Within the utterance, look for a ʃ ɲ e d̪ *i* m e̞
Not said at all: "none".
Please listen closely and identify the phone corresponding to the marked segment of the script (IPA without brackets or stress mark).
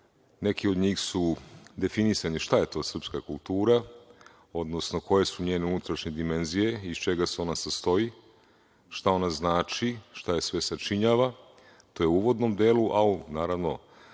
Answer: i